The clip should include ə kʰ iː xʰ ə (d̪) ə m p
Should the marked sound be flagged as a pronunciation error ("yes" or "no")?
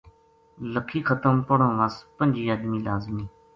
yes